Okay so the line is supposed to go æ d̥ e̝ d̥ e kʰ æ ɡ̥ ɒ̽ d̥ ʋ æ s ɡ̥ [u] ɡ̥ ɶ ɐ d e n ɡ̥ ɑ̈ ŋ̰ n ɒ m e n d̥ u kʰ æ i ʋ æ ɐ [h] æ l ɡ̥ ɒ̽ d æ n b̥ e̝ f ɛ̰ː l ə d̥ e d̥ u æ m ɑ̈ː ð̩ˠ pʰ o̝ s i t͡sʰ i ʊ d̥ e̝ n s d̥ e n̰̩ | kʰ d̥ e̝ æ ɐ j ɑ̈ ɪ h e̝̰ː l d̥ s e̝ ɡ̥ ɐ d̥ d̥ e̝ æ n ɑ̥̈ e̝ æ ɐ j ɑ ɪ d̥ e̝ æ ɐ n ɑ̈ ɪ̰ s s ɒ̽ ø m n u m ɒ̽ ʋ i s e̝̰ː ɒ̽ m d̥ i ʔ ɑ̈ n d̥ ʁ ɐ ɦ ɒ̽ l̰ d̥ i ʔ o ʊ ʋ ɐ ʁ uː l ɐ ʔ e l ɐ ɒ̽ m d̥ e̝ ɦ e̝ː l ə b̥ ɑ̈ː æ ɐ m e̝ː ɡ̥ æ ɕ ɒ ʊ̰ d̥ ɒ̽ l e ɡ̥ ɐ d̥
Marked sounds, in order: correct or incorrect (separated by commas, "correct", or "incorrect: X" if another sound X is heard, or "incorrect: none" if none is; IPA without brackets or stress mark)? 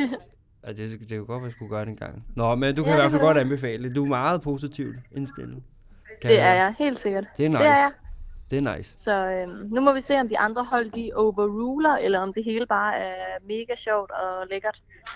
correct, incorrect: f